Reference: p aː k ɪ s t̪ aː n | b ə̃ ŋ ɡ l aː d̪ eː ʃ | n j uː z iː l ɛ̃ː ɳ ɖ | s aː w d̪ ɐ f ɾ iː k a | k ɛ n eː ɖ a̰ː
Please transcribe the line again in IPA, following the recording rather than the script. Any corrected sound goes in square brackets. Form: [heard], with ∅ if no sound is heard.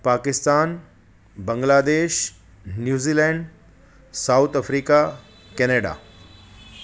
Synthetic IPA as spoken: p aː k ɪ s t̪ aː n | b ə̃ ŋ ɡ l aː d̪ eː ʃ | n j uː z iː l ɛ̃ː ɳ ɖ | s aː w [t̪] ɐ f ɾ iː k a | k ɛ n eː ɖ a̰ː